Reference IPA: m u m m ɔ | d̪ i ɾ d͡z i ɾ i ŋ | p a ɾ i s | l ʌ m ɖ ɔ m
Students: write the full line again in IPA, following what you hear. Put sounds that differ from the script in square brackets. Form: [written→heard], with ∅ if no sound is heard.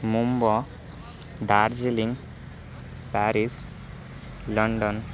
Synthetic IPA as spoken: m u m [m→b] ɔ | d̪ [i→a] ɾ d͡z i [ɾ→l] i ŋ | p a ɾ i s | l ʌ [m→ɳ] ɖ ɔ [m→n]